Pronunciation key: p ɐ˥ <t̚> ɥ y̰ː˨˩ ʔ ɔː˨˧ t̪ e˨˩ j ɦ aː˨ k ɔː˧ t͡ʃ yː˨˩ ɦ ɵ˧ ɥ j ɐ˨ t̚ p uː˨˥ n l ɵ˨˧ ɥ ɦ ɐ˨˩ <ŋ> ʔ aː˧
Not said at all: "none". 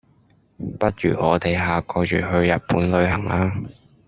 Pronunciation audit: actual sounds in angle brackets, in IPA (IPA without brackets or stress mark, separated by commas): t̚, ŋ